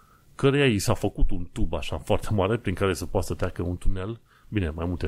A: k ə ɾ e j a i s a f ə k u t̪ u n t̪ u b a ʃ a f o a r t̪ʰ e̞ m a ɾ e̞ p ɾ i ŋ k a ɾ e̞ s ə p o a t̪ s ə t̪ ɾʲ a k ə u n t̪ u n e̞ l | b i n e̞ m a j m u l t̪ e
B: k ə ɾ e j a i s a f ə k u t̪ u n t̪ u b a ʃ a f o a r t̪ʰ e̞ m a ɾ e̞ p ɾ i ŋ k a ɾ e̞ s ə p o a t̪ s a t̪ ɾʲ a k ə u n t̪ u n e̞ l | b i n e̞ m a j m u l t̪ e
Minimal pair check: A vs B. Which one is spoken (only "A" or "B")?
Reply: A